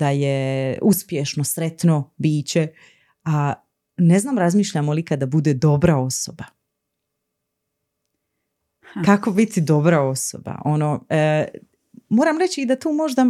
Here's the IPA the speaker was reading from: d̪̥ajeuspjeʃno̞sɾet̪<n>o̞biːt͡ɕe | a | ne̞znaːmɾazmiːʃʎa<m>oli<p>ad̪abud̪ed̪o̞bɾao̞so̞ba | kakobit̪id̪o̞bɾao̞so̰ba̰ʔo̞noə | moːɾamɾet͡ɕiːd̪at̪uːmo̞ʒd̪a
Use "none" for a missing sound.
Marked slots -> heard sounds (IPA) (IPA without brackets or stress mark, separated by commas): n, m, k